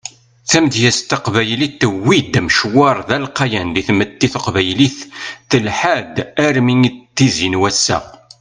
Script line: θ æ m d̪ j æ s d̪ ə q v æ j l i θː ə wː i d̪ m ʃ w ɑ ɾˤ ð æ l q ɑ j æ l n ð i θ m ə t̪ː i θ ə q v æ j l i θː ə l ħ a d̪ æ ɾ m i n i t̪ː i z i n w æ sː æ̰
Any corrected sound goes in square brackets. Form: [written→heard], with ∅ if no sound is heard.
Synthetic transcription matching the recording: θ æ m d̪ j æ s [d̪→t̪] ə q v æ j l i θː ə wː i d̪ m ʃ w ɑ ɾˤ ð æ l q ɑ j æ [l→∅] n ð i θ m ə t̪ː i θ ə q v æ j l i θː ə l ħ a d̪ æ ɾ m i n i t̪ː i z i n w æ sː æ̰